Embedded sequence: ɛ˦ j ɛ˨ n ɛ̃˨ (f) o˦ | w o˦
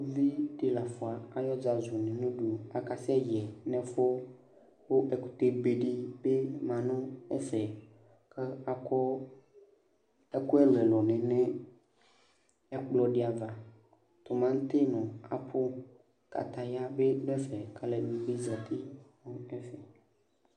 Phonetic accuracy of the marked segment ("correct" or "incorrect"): correct